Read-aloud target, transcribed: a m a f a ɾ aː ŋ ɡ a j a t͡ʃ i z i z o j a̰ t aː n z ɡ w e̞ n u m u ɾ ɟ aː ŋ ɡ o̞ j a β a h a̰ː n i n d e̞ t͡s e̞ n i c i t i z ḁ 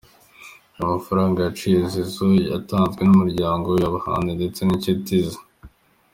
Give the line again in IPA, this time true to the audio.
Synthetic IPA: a m a f a ɾ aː ŋ ɡ a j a t͡ʃ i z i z o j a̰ t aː n z ɡ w e̞ n u m u ɾ ɟ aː ŋ ɡ o̞ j a β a h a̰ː n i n d e̞ t͡s e̞ n i c i t i z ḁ